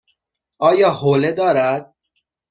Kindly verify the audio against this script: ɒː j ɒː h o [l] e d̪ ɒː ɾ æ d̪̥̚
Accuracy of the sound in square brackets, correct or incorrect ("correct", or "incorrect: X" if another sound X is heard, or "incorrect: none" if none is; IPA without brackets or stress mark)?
correct